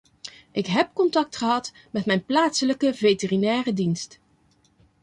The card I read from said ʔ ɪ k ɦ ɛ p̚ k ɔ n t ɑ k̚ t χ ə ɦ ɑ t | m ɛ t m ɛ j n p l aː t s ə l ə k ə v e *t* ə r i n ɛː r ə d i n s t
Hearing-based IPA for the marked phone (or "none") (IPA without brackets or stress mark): t